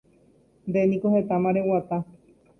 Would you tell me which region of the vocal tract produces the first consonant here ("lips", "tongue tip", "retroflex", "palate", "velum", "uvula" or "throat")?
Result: tongue tip